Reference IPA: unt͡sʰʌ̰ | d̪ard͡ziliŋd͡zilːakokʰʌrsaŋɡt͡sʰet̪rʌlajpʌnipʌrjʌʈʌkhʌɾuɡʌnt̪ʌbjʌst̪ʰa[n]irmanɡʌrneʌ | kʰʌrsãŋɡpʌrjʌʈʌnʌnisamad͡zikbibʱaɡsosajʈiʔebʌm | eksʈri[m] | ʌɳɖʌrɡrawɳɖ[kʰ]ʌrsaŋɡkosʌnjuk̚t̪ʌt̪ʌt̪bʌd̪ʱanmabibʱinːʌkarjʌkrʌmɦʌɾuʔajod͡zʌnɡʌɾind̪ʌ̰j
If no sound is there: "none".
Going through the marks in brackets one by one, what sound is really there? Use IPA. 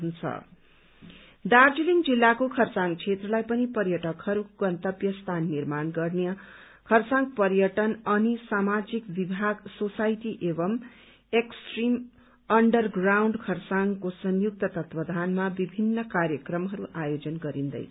nː, m, kʰ

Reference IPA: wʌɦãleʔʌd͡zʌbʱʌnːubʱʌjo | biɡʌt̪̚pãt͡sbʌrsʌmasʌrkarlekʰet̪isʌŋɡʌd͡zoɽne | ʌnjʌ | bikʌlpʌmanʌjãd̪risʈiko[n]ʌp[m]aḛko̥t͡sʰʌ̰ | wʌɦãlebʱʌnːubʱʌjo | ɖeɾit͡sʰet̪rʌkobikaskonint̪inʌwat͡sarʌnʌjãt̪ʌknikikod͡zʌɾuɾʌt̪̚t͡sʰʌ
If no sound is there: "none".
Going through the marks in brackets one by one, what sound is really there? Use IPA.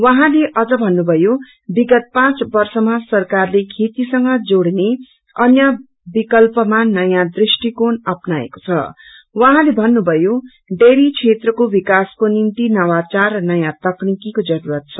n, n

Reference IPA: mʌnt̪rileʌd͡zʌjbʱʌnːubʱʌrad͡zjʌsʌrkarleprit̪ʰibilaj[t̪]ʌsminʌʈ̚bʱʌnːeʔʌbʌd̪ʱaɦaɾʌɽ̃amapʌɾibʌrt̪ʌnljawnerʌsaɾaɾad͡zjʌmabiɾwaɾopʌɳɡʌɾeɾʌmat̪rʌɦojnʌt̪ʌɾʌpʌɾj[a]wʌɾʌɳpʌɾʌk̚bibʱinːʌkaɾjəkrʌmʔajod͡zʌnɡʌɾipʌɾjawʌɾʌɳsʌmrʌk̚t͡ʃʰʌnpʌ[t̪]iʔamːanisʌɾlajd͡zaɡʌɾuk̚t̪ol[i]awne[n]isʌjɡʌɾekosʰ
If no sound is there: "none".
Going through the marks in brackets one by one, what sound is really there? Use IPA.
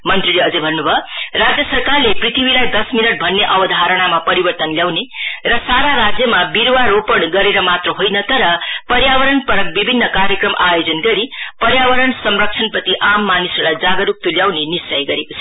d̪, a, t̪, j, n

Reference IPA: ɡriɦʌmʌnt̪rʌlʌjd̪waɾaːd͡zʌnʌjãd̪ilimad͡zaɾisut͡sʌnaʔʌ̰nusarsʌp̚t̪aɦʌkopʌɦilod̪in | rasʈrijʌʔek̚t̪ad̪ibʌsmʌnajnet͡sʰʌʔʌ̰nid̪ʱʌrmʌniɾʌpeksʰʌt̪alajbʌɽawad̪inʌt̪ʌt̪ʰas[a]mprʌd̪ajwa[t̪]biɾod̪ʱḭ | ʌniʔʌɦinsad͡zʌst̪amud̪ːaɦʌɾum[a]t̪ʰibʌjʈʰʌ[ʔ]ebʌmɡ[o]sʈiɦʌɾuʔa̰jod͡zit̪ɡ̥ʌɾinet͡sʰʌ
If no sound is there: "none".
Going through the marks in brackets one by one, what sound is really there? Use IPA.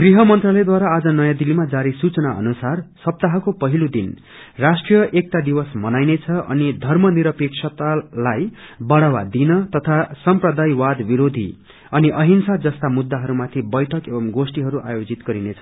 ʌ, d̪, a, k, o

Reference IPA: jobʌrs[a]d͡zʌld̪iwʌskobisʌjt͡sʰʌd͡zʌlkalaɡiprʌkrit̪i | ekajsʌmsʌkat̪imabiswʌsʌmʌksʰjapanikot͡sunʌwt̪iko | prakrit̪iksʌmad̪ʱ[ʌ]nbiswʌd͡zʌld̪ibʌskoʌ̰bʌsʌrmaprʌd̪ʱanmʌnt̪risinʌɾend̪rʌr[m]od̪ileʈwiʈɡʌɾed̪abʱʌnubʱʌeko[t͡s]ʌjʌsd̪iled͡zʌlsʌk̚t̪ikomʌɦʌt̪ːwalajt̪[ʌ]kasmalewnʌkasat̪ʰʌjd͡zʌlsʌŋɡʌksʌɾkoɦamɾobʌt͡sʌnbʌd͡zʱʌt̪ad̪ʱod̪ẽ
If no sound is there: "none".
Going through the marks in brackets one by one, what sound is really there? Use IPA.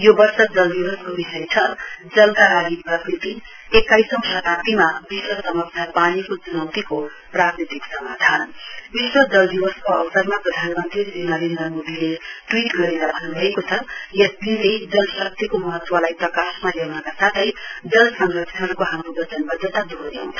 ʌ, a, m, t͡sʰ, ʌ

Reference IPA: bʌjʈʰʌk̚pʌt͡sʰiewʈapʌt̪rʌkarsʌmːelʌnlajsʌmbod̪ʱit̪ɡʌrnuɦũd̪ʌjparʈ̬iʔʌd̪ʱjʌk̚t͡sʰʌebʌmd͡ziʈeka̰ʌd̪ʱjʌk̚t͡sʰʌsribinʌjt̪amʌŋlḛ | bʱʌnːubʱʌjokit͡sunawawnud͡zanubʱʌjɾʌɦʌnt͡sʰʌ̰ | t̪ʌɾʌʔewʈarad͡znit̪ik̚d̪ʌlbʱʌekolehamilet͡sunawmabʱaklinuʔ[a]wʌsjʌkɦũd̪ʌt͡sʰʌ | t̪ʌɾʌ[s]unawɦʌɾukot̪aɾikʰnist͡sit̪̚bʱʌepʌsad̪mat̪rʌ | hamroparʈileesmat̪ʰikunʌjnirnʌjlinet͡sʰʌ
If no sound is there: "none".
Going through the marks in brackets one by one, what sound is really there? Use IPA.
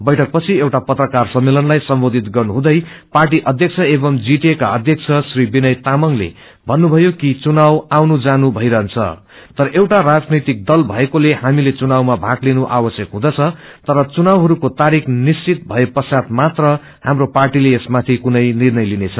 a, t͡s

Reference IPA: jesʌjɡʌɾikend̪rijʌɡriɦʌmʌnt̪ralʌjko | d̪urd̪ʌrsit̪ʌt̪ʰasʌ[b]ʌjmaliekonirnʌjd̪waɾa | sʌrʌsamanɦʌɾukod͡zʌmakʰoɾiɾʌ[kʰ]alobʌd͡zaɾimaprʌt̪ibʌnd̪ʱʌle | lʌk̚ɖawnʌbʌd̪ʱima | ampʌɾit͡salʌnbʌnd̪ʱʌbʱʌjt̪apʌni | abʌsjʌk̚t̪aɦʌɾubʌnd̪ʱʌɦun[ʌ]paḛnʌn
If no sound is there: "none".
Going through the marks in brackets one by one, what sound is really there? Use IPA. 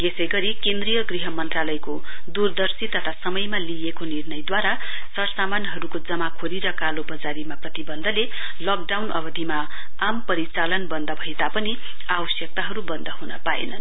m, k, ʌ

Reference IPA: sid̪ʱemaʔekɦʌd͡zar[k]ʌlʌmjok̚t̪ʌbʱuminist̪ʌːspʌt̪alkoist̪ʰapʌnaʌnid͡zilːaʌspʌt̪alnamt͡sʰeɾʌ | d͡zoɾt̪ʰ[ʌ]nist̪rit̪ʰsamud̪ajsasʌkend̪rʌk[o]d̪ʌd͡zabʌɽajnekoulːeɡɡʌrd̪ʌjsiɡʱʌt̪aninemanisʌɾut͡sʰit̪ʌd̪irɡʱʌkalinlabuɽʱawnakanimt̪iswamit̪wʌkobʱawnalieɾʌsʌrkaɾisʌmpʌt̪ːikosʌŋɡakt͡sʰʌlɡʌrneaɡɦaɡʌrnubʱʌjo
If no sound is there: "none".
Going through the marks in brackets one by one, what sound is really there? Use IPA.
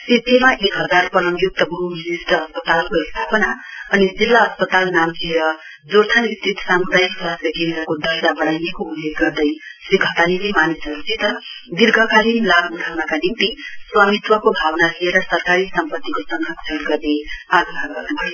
p, a, o

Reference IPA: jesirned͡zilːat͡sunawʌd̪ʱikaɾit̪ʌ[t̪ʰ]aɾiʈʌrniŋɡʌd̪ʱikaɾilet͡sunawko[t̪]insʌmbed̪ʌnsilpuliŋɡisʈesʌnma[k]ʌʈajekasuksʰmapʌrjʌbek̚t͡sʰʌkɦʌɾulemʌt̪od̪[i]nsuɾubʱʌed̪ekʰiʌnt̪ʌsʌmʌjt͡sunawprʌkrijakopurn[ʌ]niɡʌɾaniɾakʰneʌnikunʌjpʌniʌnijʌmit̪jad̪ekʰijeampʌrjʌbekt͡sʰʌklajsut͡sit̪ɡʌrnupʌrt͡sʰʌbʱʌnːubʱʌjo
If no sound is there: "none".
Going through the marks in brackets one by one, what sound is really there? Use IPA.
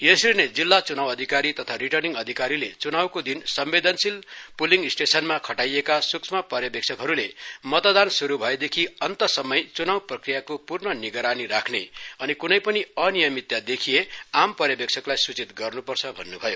t̪ʰ, d̪, kʰ, a, ʌ

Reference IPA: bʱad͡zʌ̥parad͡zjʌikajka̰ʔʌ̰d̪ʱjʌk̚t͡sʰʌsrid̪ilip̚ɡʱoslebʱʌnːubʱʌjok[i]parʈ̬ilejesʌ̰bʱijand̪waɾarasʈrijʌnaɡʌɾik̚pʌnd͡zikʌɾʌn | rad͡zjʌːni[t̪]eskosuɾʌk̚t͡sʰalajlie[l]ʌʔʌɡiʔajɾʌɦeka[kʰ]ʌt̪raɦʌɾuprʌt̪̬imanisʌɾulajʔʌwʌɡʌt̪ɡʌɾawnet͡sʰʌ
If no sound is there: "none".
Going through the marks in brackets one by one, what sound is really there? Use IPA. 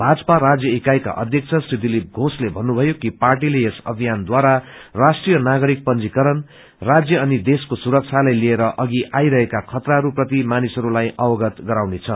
i, d̪, ɾ, kʰ

